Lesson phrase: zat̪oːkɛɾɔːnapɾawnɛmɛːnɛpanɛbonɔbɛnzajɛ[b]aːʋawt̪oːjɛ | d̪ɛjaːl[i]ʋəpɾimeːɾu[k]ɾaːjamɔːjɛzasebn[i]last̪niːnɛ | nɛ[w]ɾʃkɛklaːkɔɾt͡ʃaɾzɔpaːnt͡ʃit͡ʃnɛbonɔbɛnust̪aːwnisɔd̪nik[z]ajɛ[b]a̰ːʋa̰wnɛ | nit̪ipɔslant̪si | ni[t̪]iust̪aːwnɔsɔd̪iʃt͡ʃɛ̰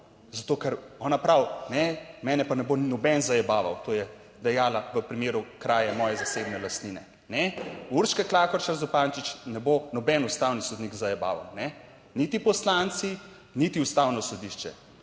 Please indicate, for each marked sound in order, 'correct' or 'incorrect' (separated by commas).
correct, incorrect, correct, incorrect, incorrect, correct, correct, correct